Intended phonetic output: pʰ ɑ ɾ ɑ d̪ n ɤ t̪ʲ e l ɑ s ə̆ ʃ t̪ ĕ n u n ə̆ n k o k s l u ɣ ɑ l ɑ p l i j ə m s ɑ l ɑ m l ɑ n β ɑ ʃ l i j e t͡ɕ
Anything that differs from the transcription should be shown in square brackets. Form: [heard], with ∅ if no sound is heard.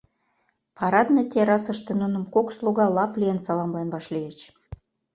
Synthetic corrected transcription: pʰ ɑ ɾ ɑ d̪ n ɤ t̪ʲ e [ɾ] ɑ s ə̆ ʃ t̪ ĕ n u n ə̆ [m] k o k s l u ɣ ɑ l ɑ p l i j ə [n] s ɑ l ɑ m l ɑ n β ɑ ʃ l i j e t͡ɕ